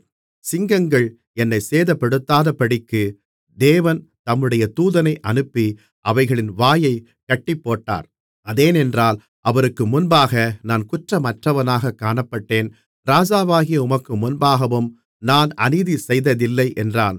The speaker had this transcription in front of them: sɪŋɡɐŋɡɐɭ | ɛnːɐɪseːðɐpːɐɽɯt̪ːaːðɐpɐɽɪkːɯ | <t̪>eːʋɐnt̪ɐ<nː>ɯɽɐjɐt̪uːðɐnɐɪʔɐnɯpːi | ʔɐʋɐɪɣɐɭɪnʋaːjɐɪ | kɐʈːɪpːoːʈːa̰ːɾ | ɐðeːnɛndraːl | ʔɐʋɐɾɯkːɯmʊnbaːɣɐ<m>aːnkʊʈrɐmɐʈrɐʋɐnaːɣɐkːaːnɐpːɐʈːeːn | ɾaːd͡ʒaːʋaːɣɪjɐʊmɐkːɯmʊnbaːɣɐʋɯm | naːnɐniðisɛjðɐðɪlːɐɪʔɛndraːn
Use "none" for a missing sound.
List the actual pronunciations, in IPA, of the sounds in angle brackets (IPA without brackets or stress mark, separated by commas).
d̪, mː, n